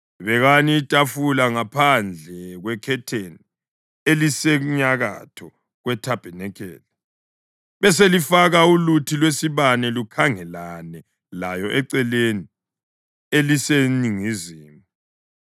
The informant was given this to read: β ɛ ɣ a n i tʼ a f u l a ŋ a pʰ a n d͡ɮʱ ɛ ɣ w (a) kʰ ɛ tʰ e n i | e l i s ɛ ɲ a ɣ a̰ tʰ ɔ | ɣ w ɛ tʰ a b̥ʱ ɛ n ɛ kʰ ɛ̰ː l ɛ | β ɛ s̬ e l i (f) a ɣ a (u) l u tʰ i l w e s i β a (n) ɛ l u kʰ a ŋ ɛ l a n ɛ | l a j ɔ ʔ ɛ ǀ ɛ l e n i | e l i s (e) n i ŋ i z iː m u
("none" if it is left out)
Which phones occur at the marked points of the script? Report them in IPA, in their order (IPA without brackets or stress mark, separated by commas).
ɛ, f, u, n, e